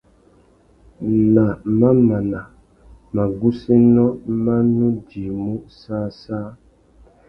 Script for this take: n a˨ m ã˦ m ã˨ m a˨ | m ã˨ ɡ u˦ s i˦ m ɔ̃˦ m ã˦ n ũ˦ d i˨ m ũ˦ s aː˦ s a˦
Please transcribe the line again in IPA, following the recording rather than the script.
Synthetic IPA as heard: n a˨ m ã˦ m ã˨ n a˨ | m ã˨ ɡ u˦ s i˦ n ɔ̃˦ m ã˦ n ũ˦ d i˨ m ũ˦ s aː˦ s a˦